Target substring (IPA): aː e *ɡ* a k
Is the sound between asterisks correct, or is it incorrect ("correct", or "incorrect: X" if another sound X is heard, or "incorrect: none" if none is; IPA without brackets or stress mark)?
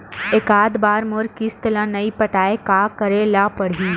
incorrect: k